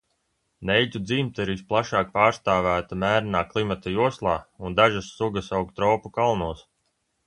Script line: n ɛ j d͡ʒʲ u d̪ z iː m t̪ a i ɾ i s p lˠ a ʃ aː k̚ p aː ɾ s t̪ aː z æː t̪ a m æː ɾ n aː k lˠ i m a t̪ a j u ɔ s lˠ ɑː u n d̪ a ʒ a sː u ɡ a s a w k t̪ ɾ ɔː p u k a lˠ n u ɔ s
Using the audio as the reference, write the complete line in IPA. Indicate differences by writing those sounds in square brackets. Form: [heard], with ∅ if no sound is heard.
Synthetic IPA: n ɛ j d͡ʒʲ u d̪ z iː m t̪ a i ɾ i s p lˠ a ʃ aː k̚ p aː ɾ s t̪ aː [v] æː t̪ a m æː ɾ n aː k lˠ i m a t̪ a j u ɔ s lˠ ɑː u n d̪ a ʒ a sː u ɡ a s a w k t̪ ɾ ɔː p u k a lˠ n u ɔ s

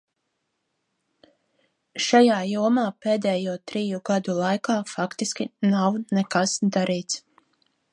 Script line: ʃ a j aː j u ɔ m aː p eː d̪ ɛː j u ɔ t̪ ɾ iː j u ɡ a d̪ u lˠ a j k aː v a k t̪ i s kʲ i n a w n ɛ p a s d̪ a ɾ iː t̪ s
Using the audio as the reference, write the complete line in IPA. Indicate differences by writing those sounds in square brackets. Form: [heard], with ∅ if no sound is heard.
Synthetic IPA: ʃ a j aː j u ɔ m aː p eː d̪ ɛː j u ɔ t̪ ɾ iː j u ɡ a d̪ u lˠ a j k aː [f] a k t̪ i s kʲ i n a w n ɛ [k] a s d̪ a ɾ iː t̪ s

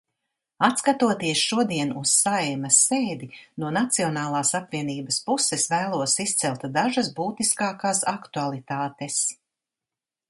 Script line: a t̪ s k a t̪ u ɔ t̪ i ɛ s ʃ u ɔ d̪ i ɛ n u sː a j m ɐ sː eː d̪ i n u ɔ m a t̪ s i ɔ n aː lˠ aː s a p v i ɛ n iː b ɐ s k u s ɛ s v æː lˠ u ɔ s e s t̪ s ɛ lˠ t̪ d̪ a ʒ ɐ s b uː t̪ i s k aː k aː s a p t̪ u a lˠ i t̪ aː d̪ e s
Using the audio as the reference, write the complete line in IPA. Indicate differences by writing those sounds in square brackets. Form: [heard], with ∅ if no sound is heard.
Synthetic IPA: a t̪ s k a t̪ u ɔ t̪ i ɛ s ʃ u ɔ d̪ i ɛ n u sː a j m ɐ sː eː d̪ i n u ɔ [n] a t̪ s i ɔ n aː lˠ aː s a p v i ɛ n iː b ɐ s [p] u s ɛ s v æː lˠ u ɔ s [i] s t̪ s ɛ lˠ t̪ d̪ a ʒ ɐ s b uː t̪ i s k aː k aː s a [k] t̪ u a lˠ i t̪ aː [t̪] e s

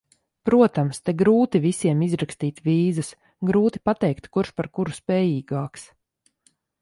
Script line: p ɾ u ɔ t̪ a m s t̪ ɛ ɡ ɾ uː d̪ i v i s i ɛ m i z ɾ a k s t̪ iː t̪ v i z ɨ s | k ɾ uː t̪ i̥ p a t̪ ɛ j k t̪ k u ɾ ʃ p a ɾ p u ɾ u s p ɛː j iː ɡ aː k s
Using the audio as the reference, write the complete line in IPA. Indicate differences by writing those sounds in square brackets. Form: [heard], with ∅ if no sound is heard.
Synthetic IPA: p ɾ u ɔ t̪ a m s t̪ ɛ ɡ ɾ uː [t̪] i v i s i ɛ m i z ɾ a k s t̪ iː t̪ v [iː] z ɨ s | [ɡ] ɾ uː t̪ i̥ p a t̪ ɛ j k t̪ k u ɾ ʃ p a ɾ [k] u ɾ u s p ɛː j iː ɡ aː k s

